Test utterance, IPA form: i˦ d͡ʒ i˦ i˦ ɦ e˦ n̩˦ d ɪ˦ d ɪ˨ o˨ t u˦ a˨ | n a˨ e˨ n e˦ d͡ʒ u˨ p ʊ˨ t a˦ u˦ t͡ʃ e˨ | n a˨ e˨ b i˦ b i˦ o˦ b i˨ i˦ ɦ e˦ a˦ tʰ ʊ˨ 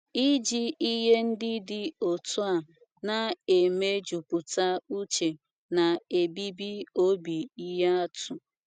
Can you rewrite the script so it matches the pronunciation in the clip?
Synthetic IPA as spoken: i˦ d͡ʒ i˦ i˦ ɦ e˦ n̩˦ d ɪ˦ d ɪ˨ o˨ t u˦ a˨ | n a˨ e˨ m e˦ d͡ʒ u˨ p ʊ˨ t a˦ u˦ t͡ʃ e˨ | n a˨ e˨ b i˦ b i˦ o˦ b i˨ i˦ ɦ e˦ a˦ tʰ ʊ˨